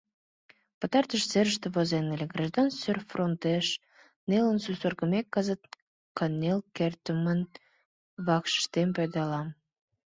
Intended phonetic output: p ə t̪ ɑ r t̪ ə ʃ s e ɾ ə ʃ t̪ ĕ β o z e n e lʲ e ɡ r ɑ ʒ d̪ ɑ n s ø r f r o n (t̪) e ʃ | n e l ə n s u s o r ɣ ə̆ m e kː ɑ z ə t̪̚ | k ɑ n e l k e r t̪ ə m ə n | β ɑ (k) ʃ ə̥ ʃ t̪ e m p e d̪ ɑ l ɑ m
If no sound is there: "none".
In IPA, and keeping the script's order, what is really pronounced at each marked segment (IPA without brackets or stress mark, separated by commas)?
t̪, k